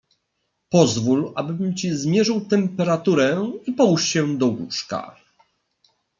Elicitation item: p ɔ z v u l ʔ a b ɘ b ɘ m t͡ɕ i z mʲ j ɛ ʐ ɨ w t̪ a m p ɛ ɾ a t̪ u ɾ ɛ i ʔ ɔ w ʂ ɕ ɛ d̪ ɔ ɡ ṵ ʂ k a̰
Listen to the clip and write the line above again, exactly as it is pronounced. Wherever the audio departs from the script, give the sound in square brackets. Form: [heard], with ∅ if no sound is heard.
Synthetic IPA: p ɔ z v u l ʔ a b ɘ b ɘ m t͡ɕ i z mʲ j ɛ ʐ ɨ w t̪ [ɛ] m p ɛ ɾ a t̪ u ɾ ɛ i [p] ɔ w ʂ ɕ ɛ d̪ ɔ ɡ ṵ ʂ k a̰